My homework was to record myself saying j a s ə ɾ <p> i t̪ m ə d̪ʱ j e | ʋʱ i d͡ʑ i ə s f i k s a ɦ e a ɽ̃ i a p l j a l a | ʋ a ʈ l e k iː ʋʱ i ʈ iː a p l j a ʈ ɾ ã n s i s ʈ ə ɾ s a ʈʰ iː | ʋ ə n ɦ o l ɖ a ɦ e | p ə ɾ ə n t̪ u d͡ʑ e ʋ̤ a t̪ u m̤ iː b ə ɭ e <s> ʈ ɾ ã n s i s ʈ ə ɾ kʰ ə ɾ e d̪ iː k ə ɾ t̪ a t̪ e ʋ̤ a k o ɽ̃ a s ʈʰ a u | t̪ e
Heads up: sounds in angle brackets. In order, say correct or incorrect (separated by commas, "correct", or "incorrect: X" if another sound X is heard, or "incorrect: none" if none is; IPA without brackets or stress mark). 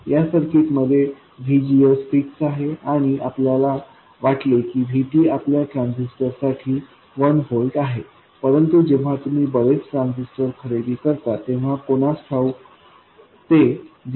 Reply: incorrect: k, incorrect: t͡s